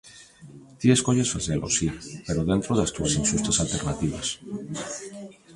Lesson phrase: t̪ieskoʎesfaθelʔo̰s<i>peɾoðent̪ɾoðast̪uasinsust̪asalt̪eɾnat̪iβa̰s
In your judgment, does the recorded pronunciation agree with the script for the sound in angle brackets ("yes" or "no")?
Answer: yes